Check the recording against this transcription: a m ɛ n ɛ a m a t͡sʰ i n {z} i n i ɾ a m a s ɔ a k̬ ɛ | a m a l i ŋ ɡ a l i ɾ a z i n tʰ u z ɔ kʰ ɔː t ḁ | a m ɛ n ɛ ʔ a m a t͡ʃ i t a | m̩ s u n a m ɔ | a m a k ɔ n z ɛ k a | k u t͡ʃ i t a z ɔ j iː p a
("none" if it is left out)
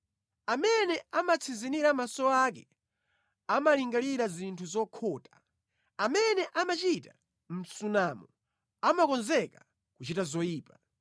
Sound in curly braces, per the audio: z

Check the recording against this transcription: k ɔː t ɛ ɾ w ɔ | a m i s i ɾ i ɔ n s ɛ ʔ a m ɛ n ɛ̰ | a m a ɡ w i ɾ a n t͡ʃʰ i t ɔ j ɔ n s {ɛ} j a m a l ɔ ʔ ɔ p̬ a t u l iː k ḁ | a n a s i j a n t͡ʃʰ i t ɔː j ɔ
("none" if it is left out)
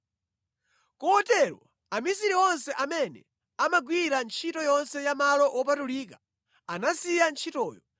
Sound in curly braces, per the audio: ɛ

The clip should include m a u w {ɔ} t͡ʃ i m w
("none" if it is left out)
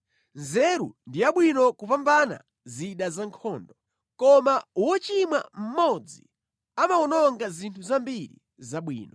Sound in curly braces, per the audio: ɔ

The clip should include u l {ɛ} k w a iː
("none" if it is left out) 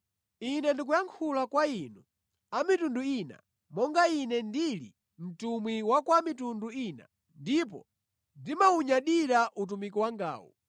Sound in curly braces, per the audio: a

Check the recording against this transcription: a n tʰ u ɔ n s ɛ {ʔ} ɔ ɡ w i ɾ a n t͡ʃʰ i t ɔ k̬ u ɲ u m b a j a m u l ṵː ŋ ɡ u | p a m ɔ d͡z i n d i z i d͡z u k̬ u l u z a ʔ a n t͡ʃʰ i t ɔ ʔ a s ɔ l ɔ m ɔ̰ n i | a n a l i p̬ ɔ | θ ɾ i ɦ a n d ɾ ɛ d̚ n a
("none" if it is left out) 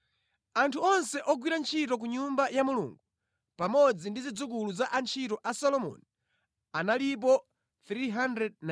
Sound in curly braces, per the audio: ʔ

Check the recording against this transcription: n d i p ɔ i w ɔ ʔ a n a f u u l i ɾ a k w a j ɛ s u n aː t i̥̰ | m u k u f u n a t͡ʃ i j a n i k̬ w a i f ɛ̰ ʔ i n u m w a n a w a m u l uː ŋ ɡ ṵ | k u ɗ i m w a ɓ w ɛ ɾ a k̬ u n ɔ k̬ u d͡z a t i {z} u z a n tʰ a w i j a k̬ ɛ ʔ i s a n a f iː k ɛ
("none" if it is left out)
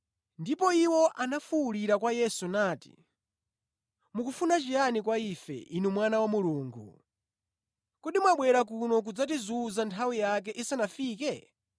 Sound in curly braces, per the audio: z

